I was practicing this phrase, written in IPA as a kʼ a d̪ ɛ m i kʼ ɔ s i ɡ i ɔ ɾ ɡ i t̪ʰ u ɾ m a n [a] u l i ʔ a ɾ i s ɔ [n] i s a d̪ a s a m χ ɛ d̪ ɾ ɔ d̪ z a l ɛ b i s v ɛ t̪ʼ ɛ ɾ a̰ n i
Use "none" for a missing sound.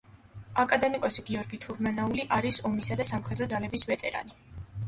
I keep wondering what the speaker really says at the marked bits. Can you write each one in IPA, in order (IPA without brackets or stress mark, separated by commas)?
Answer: a, m